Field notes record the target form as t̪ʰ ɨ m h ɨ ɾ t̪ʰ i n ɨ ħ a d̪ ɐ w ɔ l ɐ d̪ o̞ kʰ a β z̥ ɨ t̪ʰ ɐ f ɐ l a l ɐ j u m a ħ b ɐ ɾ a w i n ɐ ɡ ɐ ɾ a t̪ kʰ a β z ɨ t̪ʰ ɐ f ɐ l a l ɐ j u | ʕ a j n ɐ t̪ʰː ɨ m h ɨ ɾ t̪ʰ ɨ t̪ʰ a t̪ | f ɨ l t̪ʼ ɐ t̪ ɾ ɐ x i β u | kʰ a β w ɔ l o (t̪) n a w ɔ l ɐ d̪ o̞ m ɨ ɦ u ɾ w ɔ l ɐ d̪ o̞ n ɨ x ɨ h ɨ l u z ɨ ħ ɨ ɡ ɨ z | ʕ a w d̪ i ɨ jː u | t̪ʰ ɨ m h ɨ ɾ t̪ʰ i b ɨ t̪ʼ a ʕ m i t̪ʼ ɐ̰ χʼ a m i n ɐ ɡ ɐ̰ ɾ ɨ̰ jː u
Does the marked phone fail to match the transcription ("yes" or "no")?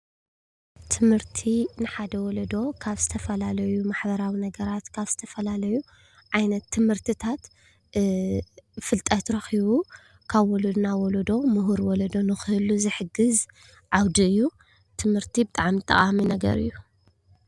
yes